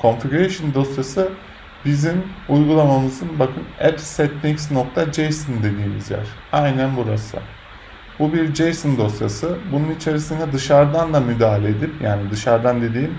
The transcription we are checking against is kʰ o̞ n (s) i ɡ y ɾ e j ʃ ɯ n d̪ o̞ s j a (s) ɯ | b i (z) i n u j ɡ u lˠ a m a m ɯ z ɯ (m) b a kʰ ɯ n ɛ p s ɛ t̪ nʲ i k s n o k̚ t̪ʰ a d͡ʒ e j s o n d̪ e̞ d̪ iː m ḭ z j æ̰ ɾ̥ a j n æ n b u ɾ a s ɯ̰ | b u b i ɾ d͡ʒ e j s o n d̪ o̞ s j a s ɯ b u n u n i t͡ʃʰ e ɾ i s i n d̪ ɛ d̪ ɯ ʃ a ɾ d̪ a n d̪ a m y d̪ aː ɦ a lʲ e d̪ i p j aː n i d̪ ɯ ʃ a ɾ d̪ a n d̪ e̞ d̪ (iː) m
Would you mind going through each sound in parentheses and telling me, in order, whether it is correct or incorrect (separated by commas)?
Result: incorrect, correct, correct, incorrect, correct